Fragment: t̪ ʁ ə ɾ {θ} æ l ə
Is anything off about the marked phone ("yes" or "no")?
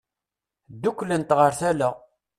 no